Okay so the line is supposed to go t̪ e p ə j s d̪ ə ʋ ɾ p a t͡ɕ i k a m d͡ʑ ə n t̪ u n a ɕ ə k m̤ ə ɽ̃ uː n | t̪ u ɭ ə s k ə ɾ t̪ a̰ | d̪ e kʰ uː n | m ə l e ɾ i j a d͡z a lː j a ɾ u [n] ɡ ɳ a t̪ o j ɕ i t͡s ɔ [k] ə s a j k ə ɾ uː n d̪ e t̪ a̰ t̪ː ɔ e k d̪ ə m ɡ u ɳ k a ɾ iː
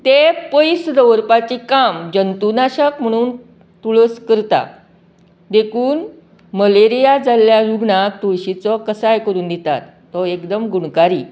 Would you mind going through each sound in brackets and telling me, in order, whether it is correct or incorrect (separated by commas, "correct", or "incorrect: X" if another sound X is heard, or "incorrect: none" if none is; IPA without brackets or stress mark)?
incorrect: none, correct